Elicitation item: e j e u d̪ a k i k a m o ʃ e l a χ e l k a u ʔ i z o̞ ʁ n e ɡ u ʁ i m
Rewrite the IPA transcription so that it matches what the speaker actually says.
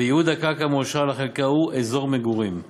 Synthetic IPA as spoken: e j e u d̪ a k a k a m o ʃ a l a χ e l k a u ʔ e z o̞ ʁ m e ɡ u ʁ i m